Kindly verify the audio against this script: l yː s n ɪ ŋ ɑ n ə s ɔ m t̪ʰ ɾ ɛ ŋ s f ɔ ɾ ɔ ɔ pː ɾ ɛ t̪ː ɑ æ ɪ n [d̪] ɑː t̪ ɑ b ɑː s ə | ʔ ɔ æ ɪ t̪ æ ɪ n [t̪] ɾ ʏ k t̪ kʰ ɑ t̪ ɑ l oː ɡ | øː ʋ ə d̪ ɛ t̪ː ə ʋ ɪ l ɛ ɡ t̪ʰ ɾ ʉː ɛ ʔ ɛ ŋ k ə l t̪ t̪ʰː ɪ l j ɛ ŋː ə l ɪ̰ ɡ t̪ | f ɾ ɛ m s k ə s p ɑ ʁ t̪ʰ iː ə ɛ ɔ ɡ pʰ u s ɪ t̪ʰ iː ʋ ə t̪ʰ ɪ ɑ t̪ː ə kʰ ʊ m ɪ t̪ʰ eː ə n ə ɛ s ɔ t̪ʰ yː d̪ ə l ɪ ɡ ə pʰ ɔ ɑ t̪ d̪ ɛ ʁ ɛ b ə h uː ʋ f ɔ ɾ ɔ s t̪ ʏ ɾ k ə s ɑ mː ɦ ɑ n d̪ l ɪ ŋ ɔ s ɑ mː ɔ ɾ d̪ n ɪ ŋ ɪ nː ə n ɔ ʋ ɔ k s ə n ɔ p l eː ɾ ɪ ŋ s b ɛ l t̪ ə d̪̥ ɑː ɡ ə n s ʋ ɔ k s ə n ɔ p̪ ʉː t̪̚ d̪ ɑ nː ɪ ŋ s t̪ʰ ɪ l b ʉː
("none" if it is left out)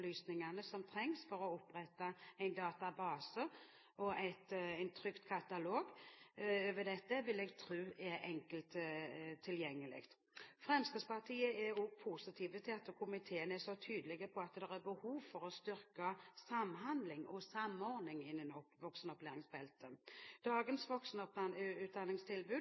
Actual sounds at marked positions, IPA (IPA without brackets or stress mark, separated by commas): d̪, t̪ʰ